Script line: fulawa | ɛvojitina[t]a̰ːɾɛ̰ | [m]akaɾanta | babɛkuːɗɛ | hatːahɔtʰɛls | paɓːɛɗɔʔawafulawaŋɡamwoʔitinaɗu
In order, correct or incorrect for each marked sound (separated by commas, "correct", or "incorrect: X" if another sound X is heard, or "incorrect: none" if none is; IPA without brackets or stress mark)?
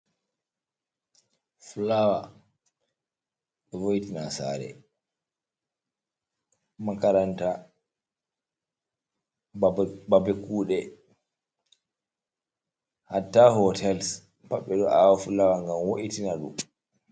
incorrect: s, correct